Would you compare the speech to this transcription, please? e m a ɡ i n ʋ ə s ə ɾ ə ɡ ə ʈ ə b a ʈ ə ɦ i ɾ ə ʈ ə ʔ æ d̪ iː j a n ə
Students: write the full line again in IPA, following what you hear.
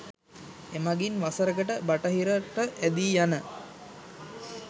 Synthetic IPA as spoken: e m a ɡ i n ʋ a s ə ɾ ə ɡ ə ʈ ə b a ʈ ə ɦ i ɾ ə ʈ ə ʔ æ d̪ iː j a n ə

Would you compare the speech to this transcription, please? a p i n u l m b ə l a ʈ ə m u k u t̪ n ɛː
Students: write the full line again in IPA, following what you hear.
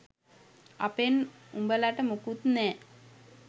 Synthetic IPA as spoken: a p e n u m b ə l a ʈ ə m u k u t̪ n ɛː

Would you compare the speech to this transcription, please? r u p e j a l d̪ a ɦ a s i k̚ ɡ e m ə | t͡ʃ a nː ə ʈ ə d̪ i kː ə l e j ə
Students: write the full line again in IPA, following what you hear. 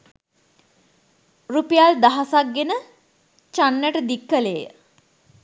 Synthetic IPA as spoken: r u p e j a l d̪ a ɦ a s a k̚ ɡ e n ə | t͡ʃ a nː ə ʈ ə d̪ i kː ə l e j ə

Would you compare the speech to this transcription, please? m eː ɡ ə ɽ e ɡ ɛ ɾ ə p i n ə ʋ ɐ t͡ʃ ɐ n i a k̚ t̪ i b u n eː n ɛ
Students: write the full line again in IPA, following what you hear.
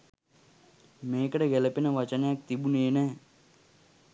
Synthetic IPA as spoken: m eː k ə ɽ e ɡ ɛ l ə p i n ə ʋ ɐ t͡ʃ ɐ n j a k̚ t̪ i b u n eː n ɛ

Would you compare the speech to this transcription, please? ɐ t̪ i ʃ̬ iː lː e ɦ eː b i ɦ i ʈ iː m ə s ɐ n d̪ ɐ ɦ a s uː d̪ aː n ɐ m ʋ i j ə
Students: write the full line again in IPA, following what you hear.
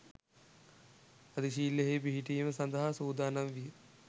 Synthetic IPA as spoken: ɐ d̪ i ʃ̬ iː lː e ɦ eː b i ɦ i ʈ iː m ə s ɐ n d̪ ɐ ɦ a s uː d̪ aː n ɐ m ʋ i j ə

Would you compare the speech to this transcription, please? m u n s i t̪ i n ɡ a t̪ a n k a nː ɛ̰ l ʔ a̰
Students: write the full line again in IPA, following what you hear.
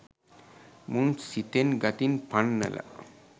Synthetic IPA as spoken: m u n s i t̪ e n ɡ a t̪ i n p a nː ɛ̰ l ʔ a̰

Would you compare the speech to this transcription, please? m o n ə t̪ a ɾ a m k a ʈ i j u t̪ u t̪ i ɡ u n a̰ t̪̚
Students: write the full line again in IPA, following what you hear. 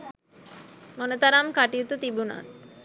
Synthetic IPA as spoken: m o n ə t̪ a ɾ a m k a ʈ i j u t̪ u t̪ i b u n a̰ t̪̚

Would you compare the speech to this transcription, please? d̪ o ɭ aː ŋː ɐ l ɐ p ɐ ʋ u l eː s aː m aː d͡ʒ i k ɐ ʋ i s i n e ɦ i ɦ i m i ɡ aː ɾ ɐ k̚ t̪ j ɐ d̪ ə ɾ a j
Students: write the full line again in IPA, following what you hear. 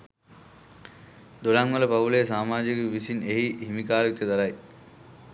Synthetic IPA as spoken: d̪ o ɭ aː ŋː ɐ l ɐ p ɐ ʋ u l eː s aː m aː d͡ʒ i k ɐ ʋ i s i n e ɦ i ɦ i m i k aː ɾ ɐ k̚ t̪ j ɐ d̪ ɐ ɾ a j

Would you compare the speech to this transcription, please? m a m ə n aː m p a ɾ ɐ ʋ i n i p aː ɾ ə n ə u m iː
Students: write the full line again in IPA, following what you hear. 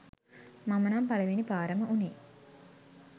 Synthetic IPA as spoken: m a m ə n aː m p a l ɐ ʋ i n i p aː ɾ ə m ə u n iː

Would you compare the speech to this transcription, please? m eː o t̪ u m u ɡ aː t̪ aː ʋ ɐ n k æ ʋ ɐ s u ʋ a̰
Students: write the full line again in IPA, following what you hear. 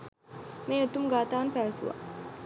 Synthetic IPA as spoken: m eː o t̪ u m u ɡ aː t̪ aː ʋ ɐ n p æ ʋ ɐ s u ʋ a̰

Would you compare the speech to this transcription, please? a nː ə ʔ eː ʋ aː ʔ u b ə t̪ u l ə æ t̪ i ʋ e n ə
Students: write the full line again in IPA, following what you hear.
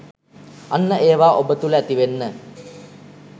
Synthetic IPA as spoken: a nː ə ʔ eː ʋ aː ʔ o b ə t̪ u l ə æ t̪ i ʋ e nː ə

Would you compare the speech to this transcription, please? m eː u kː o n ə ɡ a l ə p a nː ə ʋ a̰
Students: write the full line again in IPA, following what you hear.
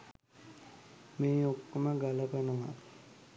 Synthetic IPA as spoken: m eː o kː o m ə ɡ a l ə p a n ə ʋ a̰

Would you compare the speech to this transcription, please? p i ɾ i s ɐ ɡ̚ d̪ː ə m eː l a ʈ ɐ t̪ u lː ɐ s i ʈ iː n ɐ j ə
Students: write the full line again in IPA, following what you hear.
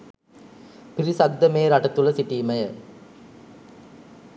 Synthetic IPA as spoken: p i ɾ i s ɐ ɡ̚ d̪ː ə m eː ɾ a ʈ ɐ t̪ u l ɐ s i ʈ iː m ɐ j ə

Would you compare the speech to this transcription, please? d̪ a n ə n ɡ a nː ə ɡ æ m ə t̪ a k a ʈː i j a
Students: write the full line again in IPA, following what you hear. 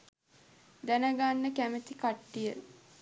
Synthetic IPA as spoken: d̪ æ n ə ɡ a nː ə k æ m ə t̪ i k a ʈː i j ə

